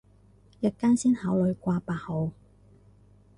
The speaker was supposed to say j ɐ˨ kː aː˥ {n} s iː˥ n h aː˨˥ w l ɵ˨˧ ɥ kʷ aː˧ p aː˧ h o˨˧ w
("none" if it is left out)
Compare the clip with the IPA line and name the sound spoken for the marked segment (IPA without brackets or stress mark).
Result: n